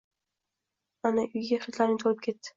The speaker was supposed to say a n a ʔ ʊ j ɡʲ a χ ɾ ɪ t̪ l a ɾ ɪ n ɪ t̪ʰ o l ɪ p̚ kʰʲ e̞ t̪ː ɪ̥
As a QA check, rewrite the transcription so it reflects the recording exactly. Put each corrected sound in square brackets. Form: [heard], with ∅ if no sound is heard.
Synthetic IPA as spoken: a n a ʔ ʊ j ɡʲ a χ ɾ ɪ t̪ l a ɾ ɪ n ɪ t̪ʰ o l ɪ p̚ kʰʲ e̞ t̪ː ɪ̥